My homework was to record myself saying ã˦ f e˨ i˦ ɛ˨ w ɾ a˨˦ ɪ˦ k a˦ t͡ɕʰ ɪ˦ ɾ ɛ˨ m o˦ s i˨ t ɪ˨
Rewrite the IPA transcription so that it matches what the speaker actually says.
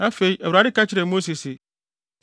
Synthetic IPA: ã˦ f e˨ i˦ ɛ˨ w ɾ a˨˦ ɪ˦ k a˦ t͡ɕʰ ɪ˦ ɾ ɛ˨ m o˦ s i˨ s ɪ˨